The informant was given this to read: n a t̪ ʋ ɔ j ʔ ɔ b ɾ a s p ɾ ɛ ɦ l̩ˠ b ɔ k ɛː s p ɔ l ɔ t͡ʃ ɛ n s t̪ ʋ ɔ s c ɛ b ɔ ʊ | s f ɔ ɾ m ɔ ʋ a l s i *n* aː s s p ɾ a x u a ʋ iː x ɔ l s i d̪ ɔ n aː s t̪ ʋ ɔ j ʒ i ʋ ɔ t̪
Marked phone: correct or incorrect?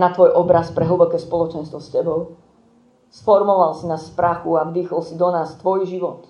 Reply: correct